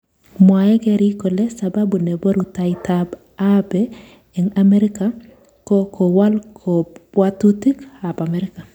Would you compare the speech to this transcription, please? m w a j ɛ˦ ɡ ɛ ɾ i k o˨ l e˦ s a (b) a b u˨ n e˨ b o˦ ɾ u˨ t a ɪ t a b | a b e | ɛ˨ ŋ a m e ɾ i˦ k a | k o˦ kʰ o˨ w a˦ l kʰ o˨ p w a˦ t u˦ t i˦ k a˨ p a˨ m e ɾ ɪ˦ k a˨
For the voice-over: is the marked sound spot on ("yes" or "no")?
yes